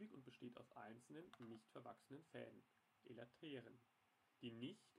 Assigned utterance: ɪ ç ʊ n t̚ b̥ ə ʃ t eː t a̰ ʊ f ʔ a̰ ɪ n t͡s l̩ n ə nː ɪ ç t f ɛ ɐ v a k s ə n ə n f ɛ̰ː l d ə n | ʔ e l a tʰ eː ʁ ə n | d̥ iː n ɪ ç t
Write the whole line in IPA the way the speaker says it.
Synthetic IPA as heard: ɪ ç ʊ n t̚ b̥ ə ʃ t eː t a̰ ʊ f ʔ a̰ ɪ n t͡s l̩ n ə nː ɪ ç t f ɛ ɐ v a k s ə n ə n f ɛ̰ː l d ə n | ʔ e l a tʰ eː ʁ ə n | d̥ iː n ɪ ç t